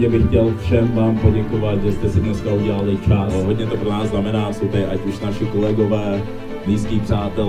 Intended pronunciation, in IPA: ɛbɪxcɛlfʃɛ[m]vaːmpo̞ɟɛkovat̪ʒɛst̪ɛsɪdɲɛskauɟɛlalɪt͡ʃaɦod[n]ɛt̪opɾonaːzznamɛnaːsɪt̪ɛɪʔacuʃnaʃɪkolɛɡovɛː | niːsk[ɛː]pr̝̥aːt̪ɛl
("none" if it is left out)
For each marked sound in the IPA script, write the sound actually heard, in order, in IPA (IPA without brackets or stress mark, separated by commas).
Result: m, ɲ, iː